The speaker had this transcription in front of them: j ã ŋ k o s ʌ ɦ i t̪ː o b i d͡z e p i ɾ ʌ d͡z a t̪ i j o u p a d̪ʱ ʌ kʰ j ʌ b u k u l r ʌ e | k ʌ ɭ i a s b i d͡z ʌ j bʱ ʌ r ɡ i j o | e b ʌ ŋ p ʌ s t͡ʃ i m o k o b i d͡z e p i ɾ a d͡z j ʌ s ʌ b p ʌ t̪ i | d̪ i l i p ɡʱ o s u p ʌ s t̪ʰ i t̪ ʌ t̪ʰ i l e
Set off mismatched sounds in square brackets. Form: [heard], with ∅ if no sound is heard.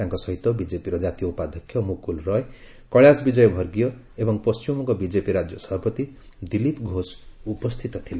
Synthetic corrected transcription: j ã ŋ k o s ʌ ɦ i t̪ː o b i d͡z e p i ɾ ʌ d͡z a t̪ i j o u p a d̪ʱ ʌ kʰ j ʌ [m] u k u l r ʌ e | k ʌ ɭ [j] a s b i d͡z ʌ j bʱ ʌ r ɡ i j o | e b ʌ ŋ p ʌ s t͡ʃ i m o k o b i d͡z e p i ɾ a d͡z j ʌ s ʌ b p ʌ t̪ i | d̪ i l i p ɡʱ o s u p ʌ s t̪ʰ i t̪ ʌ t̪ʰ i l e